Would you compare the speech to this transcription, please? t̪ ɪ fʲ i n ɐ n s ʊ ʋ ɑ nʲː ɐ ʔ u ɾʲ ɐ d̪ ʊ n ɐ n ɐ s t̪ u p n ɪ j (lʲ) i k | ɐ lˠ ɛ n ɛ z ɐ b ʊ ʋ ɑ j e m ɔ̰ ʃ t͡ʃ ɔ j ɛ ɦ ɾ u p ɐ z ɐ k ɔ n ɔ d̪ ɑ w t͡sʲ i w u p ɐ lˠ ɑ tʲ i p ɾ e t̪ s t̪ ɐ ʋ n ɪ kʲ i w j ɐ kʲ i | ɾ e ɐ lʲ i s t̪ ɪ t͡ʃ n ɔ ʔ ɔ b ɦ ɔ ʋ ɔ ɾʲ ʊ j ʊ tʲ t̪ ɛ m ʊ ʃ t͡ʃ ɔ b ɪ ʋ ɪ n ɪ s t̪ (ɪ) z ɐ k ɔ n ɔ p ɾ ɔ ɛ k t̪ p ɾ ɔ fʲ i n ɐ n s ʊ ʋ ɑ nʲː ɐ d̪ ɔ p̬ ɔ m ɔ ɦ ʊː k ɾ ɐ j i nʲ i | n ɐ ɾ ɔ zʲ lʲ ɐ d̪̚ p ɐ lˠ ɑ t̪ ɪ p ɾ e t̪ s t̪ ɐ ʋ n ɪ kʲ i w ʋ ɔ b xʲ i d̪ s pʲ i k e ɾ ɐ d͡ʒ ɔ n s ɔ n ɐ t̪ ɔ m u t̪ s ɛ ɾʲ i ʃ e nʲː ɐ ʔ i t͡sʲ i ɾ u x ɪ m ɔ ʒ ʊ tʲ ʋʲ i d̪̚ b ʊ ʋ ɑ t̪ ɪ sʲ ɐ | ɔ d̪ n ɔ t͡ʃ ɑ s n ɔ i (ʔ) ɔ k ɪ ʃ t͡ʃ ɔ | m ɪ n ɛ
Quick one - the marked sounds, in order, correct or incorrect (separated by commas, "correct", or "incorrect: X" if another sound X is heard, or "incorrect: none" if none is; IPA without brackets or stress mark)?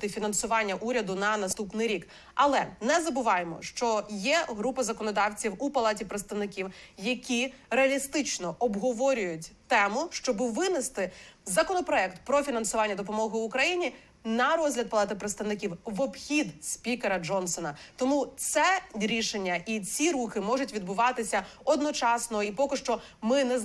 incorrect: ɾʲ, correct, incorrect: p